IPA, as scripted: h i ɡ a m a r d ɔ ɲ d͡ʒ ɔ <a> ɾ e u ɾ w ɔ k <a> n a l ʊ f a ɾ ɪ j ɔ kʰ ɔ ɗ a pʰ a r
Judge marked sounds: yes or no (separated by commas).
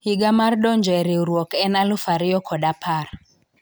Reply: no, no